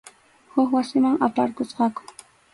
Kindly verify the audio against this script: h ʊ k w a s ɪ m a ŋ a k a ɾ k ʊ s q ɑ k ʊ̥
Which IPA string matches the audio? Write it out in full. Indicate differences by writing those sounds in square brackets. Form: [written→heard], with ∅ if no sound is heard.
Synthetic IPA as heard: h ʊ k w a s ɪ m a ŋ a [k→p] a ɾ k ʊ s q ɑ k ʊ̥